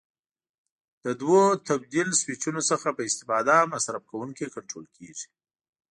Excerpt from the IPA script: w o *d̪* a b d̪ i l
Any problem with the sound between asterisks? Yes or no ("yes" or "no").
yes